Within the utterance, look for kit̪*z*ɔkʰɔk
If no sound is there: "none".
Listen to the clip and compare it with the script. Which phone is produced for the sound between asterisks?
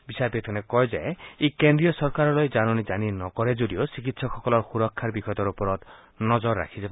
s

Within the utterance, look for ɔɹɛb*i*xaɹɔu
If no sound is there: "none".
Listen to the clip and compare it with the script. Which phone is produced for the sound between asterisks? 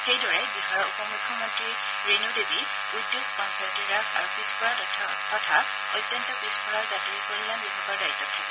i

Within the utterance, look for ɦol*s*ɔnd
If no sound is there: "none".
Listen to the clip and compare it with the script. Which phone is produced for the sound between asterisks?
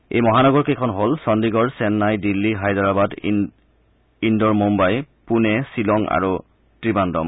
s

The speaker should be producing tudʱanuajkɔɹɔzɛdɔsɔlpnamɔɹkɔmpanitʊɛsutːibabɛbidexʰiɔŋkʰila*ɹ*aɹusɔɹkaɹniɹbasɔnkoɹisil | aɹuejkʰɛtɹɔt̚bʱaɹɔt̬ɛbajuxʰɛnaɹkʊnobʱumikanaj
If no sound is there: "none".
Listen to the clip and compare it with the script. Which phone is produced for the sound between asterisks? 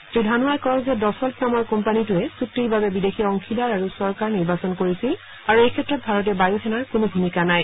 ɹ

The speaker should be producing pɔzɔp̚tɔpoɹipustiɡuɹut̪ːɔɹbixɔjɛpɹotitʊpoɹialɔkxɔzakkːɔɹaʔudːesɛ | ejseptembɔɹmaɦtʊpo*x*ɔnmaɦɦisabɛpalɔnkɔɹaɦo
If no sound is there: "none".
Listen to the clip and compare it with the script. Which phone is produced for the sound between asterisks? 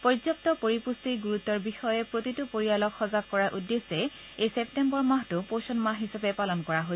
s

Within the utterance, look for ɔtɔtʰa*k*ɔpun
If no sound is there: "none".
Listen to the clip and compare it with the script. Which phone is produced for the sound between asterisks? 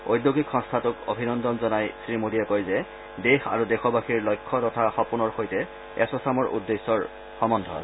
x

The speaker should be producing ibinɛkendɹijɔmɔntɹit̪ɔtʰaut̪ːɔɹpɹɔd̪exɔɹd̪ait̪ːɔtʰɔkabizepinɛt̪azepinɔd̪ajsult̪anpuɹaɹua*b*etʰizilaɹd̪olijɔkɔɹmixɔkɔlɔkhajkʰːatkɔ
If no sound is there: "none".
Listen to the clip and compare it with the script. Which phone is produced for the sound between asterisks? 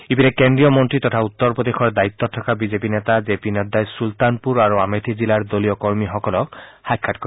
m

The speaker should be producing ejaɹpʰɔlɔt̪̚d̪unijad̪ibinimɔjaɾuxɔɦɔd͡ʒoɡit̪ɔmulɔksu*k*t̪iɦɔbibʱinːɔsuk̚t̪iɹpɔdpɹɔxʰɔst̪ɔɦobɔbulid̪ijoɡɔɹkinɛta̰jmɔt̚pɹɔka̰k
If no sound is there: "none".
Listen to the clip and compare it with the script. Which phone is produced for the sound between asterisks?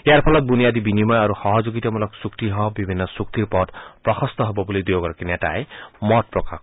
k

